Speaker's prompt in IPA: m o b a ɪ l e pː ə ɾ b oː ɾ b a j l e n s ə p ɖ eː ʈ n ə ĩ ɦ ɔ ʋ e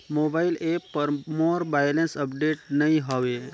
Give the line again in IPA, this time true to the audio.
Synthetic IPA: m o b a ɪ l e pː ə ɾ m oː ɾ b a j l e n s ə p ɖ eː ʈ n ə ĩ ɦ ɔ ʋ e